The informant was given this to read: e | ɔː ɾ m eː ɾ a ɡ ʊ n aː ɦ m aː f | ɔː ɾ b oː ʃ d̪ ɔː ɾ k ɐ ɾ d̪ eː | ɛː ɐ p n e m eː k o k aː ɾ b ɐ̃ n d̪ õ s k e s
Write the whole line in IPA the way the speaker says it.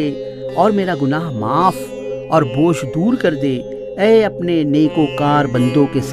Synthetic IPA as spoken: e | ɔː ɾ m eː ɾ a ɡ ʊ n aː ɦ m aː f | ɔː ɾ b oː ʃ d̪ uː ɾ k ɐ ɾ d̪ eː | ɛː ɐ p n e n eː k o k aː ɾ b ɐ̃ n d̪ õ k e s